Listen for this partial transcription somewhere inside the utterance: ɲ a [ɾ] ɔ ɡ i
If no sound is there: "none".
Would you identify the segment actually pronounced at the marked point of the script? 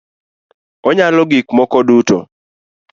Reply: l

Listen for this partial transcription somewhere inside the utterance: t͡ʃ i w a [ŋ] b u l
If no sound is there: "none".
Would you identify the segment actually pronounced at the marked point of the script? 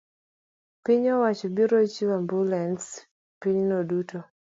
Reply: m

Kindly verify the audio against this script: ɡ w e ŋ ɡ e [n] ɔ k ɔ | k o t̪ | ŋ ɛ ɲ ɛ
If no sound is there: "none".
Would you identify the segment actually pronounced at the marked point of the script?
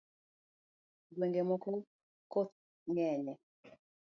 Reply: m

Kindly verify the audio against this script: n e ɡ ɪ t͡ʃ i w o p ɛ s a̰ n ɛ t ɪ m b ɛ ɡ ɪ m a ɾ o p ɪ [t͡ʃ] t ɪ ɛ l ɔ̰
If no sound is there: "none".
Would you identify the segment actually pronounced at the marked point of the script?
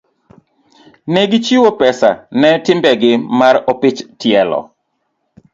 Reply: t͡ʃ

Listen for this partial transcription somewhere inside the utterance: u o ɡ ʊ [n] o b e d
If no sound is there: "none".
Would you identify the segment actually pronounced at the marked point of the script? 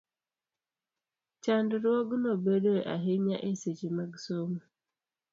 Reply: n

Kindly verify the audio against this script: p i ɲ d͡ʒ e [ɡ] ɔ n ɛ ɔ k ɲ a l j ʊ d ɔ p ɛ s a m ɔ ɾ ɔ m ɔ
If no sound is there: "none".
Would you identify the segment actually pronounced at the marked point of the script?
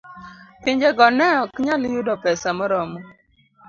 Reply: ɡ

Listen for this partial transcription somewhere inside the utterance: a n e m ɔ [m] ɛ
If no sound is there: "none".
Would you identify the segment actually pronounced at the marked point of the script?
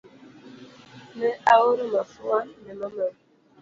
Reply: m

